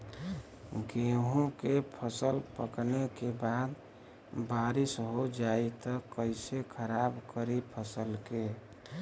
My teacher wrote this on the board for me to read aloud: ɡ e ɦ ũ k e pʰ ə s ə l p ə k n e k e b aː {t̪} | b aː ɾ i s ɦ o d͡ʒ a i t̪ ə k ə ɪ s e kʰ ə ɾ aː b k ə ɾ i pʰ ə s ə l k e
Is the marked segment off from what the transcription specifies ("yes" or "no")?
yes